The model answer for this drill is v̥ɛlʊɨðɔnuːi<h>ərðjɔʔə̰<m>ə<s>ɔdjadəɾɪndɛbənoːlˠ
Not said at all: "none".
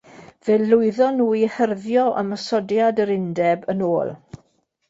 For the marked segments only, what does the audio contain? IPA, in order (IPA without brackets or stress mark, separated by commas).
h, m, s